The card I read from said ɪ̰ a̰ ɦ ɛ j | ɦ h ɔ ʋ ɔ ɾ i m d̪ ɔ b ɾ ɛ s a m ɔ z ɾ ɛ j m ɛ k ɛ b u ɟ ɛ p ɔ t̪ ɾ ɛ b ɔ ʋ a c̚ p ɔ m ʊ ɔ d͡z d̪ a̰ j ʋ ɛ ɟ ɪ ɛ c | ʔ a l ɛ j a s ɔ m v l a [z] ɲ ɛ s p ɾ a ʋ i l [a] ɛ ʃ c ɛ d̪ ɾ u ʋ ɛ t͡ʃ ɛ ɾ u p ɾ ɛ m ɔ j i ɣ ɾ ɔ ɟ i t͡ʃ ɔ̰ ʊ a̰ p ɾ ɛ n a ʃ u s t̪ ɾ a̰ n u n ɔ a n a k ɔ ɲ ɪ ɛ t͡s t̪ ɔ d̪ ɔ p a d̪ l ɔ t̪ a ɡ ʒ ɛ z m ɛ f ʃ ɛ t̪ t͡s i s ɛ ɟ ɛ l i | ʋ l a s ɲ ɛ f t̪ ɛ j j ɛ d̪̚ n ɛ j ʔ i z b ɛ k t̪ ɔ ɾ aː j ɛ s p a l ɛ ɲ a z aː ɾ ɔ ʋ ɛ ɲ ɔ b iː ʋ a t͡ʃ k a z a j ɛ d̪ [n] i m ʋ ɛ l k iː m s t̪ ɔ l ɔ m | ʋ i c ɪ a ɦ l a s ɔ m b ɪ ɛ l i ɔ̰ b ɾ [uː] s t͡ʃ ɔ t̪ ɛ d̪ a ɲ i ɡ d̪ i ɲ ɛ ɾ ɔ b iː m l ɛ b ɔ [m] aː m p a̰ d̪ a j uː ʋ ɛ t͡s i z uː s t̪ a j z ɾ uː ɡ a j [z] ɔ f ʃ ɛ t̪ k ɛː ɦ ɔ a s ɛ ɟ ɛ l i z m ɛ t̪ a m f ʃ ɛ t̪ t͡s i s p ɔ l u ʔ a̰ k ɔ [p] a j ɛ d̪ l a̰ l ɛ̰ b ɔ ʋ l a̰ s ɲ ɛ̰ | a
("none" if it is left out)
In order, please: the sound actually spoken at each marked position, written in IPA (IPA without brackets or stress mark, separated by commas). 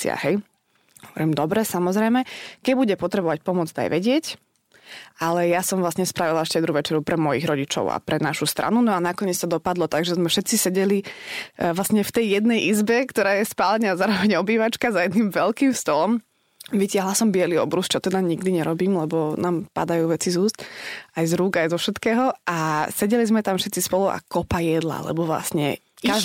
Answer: s, a, n, u, n, z, p